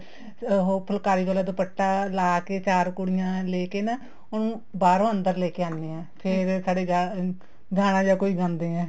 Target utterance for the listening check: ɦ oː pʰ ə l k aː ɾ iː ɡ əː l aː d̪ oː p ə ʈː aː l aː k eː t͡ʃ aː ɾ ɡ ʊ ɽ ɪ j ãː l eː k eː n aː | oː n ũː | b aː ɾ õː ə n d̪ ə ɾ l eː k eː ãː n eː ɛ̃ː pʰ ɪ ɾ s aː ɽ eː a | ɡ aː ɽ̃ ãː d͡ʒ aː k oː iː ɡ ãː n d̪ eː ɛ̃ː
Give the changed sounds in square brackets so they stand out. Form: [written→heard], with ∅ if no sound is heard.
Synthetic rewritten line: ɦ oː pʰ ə l k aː ɾ iː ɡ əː l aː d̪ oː p ə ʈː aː l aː k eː t͡ʃ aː ɾ [ɡ→k] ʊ ɽ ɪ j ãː l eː k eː n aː | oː n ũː | b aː ɾ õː ə n d̪ ə ɾ l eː k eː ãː n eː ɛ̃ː pʰ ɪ ɾ s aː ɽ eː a | ɡ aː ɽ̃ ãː d͡ʒ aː k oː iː ɡ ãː n d̪ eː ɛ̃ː

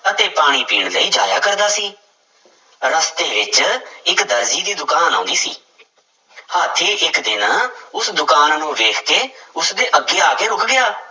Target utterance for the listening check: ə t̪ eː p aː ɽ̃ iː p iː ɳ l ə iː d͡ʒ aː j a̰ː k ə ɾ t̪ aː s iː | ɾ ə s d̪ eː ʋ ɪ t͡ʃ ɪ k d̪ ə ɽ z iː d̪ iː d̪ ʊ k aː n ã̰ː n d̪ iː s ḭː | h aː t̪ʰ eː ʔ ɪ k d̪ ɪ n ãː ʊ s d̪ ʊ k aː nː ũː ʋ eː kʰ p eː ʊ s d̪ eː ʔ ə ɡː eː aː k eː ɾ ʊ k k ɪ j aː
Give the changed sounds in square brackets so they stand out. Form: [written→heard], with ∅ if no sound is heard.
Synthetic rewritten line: ə t̪ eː p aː ɽ̃ iː p iː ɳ l ə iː d͡ʒ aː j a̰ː k ə ɾ [t̪→d̪] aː s iː | ɾ ə s [d̪→t̪] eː ʋ ɪ t͡ʃ ɪ k d̪ ə [ɽ→ɾ] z iː d̪ iː d̪ ʊ k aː n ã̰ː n d̪ iː s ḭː | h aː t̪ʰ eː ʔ ɪ k d̪ ɪ n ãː ʊ s d̪ ʊ k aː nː ũː ʋ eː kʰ [p→k] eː ʊ s d̪ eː ʔ ə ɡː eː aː k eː ɾ ʊ k [k→ɡ] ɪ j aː

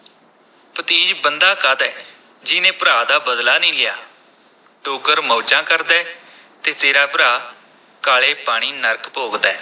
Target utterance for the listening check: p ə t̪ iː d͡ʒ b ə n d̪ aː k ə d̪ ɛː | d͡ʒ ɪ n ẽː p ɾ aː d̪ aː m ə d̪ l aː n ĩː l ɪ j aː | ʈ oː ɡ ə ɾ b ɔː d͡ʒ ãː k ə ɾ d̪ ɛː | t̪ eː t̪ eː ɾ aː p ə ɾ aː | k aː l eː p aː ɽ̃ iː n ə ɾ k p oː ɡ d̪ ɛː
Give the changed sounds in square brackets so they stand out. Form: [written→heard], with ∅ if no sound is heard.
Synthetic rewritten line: p ə t̪ iː d͡ʒ b ə n d̪ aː k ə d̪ ɛː | d͡ʒ ɪ n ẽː p ɾ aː d̪ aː [m→b] ə d̪ l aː n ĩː l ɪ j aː | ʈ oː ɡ ə ɾ [b→m] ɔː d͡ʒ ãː k ə ɾ d̪ ɛː | t̪ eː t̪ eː ɾ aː p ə ɾ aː | k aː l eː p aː ɽ̃ iː n ə ɾ k p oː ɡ d̪ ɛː

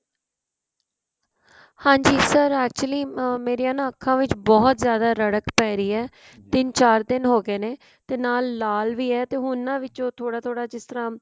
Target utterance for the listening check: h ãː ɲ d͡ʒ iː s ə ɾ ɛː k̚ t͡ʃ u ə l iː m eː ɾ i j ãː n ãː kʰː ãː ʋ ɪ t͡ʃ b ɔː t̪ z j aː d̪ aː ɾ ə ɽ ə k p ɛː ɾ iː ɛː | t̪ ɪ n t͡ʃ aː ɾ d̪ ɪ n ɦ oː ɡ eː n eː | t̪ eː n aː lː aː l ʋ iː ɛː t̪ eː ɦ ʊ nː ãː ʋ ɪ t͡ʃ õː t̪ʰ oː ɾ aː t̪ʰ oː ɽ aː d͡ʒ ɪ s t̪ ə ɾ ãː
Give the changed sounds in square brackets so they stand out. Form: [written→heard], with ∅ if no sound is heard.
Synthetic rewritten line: h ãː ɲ d͡ʒ iː s ə ɾ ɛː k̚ t͡ʃ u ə l iː m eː ɾ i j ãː n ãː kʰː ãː ʋ ɪ t͡ʃ b ɔː t̪ z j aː d̪ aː ɾ ə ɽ ə k p ɛː ɾ iː ɛː | t̪ ɪ n t͡ʃ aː ɾ d̪ ɪ n ɦ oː ɡ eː n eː | t̪ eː n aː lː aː l ʋ iː ɛː t̪ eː ɦ ʊ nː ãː ʋ ɪ t͡ʃ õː t̪ʰ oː [ɾ→ɽ] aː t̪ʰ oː ɽ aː d͡ʒ ɪ s t̪ ə ɾ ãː

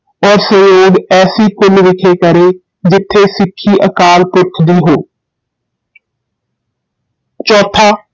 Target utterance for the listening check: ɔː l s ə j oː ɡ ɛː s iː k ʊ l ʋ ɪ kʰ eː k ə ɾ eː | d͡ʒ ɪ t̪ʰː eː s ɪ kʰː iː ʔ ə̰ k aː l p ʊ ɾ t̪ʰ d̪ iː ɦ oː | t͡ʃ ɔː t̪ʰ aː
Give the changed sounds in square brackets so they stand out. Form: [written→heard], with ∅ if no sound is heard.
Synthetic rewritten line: ɔː [l→ɾ] s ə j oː ɡ ɛː s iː k ʊ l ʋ ɪ kʰ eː k ə ɾ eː | d͡ʒ ɪ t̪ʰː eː s ɪ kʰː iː ʔ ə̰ k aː l p ʊ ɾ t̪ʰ d̪ iː ɦ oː | t͡ʃ ɔː t̪ʰ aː

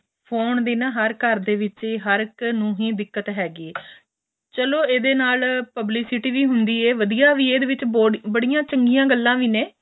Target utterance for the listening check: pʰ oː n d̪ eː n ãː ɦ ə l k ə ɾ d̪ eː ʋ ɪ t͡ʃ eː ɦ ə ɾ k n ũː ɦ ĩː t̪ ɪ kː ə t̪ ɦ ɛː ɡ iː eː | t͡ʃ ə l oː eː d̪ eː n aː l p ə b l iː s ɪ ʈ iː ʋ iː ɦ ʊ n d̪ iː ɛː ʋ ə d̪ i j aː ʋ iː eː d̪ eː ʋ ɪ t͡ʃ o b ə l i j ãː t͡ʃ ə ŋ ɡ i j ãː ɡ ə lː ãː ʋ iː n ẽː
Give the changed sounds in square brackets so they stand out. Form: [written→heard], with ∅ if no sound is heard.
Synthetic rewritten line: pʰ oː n d̪ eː n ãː ɦ ə [l→ɾ] k ə ɾ d̪ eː ʋ ɪ t͡ʃ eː ɦ ə ɾ k n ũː ɦ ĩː [t̪→d̪] ɪ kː ə t̪ ɦ ɛː ɡ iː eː | t͡ʃ ə l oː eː d̪ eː n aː l p ə b l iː s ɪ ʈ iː ʋ iː ɦ ʊ n d̪ iː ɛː ʋ ə d̪ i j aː ʋ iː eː d̪ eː ʋ ɪ t͡ʃ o b ə [l→ɽ] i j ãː t͡ʃ ə ŋ ɡ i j ãː ɡ ə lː ãː ʋ iː n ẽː

